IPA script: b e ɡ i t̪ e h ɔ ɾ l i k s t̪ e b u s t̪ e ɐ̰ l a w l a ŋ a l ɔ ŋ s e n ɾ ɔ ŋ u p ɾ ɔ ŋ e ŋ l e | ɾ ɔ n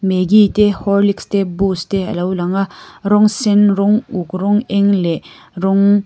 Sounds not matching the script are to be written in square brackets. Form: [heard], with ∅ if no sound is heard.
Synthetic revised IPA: [m] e ɡ i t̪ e h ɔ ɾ l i k s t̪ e b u s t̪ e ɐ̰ l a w l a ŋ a [ɾ] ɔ ŋ s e n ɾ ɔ ŋ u [k] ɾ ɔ ŋ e ŋ l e | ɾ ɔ [ŋ]